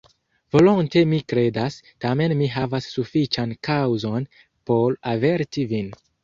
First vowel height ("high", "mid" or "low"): mid